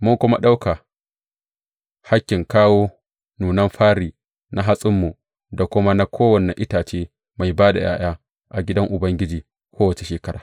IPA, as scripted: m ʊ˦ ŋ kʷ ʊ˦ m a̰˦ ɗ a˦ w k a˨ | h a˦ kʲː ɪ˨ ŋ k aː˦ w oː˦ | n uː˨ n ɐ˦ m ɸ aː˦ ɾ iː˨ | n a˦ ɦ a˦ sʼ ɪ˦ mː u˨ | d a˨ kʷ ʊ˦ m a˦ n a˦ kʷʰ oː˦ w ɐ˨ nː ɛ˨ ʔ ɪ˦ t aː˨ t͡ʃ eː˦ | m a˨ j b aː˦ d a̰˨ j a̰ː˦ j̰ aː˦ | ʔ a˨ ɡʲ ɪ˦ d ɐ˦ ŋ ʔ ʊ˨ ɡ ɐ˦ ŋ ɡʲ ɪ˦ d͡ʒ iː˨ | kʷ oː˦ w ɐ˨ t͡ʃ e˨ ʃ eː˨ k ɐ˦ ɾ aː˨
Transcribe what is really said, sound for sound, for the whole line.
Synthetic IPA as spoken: m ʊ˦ ŋ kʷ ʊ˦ m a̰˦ ɗ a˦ w k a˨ | h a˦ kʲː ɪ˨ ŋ k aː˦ w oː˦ | n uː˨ n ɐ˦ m ɸ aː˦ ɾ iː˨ | n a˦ ɦ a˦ sʼ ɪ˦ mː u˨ | d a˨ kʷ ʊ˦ m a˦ n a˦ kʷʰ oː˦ w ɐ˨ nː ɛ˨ ʔ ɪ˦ t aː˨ t͡ʃ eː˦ | m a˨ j b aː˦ d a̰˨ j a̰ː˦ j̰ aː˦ | ʔ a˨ ɡʲ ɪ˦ d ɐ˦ ŋ ʔ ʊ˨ b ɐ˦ ŋ ɡʲ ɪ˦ d͡ʒ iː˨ | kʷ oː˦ w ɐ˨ t͡ʃ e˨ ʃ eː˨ k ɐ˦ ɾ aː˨